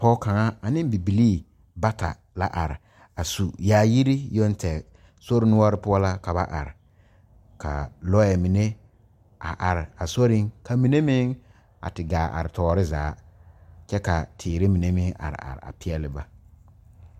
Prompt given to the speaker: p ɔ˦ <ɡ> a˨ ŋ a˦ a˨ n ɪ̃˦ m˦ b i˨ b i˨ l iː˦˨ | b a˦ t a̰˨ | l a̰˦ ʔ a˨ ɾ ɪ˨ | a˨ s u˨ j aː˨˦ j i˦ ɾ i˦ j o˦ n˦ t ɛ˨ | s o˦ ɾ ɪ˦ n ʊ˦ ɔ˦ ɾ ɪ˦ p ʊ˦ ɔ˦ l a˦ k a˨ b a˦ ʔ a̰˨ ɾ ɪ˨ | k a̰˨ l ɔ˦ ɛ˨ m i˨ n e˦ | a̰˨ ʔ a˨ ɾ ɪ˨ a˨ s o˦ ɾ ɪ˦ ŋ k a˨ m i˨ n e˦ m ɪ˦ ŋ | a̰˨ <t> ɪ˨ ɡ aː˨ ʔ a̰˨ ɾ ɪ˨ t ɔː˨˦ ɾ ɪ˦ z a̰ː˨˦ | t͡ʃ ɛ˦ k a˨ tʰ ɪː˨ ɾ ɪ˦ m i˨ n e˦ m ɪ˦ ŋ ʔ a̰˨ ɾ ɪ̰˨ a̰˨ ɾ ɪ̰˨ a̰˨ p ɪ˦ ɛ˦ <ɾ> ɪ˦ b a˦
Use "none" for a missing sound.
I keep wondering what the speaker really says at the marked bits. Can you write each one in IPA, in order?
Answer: k, t, l

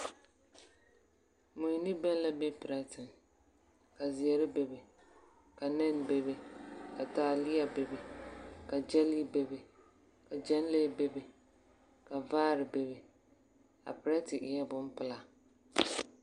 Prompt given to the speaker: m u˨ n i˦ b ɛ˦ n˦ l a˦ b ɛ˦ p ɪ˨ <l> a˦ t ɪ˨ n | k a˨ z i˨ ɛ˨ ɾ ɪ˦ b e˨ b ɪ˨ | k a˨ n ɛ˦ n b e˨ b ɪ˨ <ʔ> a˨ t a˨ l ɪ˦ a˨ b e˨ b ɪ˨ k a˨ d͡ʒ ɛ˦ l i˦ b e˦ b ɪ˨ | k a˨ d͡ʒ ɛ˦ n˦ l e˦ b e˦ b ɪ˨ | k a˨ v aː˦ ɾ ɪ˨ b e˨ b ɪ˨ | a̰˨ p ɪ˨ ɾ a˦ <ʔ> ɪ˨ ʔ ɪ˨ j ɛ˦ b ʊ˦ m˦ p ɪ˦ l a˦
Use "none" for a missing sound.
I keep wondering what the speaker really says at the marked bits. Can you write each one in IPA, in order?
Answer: ɾ, k, t

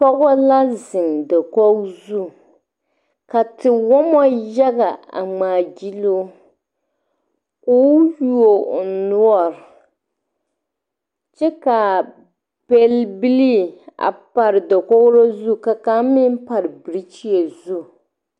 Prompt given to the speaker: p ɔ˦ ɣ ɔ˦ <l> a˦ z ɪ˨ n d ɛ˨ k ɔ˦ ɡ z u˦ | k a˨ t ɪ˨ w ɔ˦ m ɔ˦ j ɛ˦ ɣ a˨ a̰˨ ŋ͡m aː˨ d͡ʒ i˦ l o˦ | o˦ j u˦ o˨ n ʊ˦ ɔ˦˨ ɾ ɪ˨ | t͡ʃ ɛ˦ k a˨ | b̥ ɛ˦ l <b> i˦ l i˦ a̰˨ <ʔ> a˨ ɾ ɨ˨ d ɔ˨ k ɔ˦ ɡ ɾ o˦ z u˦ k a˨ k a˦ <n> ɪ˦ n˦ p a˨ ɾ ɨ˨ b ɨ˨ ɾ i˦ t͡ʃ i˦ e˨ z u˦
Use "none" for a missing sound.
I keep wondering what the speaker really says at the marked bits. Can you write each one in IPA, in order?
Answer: l, b, p, m

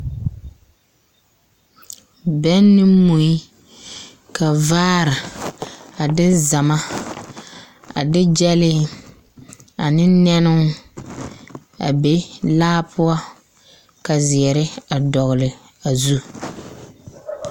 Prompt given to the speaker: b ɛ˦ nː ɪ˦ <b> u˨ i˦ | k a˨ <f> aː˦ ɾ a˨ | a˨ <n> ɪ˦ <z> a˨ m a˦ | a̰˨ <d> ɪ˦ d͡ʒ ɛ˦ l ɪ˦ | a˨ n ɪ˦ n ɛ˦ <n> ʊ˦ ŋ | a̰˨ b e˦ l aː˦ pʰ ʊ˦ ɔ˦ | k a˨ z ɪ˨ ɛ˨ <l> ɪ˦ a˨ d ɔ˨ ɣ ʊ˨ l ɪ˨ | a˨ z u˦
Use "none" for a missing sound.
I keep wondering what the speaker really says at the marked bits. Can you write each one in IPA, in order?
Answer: m, v, d, z, d, n, ɾ

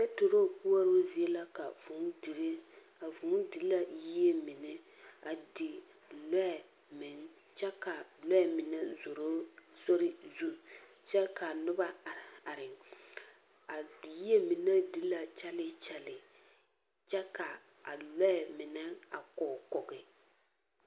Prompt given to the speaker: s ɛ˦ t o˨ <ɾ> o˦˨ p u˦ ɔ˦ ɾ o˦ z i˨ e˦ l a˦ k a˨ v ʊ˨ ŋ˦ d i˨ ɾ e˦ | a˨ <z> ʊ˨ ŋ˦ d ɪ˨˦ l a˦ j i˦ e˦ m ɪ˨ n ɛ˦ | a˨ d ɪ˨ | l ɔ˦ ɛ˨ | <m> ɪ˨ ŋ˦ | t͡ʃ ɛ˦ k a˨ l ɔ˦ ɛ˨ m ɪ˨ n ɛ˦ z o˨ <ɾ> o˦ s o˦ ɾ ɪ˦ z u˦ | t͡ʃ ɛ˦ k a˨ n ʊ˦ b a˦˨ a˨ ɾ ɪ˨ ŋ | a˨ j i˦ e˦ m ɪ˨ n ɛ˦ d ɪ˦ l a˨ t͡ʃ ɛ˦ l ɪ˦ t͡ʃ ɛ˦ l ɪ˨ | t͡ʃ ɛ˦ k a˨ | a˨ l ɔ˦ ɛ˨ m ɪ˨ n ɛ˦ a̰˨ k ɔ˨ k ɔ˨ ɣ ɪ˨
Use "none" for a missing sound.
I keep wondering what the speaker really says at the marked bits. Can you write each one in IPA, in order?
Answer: ɾ, v, m, ɾ

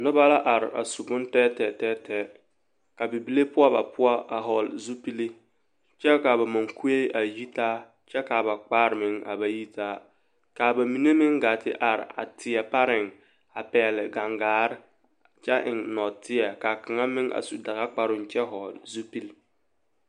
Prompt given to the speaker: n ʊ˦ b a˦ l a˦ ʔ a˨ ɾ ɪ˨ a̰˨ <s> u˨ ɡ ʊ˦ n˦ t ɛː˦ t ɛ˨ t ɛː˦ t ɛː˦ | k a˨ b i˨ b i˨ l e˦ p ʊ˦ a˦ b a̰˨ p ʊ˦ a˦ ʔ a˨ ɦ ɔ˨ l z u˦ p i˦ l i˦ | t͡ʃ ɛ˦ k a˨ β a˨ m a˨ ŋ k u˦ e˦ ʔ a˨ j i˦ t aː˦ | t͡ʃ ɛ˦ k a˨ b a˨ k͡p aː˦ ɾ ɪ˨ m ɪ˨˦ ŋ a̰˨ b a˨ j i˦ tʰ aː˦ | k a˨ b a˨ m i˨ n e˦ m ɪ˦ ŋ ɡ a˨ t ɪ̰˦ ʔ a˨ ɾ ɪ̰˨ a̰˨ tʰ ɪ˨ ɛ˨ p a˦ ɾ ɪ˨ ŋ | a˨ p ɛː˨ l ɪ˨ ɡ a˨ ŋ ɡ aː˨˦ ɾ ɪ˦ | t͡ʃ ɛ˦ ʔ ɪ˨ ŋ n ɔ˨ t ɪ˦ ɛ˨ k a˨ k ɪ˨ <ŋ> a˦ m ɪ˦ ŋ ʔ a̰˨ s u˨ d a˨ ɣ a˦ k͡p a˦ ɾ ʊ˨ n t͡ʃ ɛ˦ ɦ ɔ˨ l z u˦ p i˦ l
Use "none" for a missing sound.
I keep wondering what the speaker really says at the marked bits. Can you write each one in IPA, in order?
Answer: s, ŋ

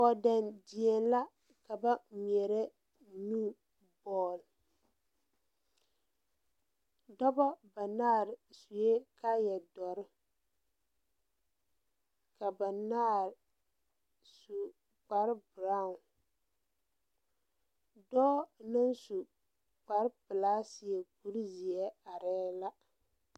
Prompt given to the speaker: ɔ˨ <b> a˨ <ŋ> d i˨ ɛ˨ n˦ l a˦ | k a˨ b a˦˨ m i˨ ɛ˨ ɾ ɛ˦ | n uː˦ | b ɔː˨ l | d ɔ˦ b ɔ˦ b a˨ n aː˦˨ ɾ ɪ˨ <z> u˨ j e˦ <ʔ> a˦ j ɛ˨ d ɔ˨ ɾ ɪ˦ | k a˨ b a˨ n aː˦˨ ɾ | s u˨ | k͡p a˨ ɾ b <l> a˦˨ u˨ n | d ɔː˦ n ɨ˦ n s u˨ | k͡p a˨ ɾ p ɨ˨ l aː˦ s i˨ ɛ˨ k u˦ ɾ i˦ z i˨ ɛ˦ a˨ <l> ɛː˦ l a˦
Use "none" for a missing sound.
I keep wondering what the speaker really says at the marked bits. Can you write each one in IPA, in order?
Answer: d, n, s, k, ɾ, ɾ

